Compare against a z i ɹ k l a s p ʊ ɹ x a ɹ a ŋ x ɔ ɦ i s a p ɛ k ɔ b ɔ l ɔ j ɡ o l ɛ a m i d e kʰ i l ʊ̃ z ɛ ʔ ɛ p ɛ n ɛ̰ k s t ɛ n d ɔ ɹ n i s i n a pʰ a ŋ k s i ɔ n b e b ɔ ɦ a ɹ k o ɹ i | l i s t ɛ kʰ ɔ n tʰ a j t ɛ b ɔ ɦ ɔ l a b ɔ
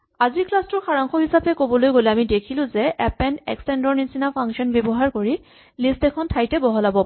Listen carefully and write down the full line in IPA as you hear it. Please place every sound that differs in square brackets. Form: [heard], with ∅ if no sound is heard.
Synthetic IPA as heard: a z i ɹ k l a s [t] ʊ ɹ x a ɹ a ŋ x ɔ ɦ i s a p ɛ k [o] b ɔ l [o] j ɡ o l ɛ a m i d e kʰ i l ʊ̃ z ɛ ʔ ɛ p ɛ n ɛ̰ k s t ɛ n d ɔ ɹ n i s i n a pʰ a ŋ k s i ɔ n b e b ɔ ɦ a ɹ k o ɹ i | l i s t ɛ kʰ ɔ n tʰ a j t ɛ b ɔ ɦ ɔ l a b ɔ